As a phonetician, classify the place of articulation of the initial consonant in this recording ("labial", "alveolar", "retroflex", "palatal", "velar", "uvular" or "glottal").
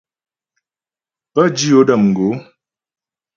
labial